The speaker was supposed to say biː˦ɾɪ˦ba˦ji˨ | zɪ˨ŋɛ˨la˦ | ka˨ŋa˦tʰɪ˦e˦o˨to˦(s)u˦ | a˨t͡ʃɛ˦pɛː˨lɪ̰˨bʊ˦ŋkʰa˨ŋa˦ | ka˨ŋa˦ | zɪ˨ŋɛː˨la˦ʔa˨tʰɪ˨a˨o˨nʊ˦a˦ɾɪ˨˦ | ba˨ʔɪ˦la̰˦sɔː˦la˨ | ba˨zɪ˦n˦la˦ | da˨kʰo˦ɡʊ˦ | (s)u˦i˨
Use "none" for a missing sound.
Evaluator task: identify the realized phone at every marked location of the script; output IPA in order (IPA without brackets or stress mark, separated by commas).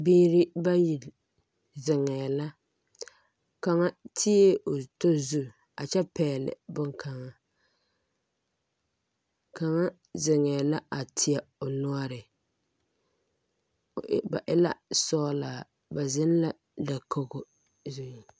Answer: z, z